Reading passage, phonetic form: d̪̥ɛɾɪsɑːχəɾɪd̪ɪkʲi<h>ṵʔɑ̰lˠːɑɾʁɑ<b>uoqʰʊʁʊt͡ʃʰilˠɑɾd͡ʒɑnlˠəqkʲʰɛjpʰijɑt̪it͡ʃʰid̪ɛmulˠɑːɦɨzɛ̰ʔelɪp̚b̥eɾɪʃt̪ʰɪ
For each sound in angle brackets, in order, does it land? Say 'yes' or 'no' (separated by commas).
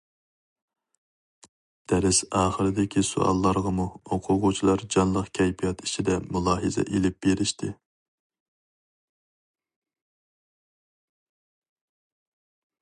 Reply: no, no